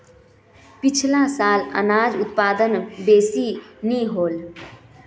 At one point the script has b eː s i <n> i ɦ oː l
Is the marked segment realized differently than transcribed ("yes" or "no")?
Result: no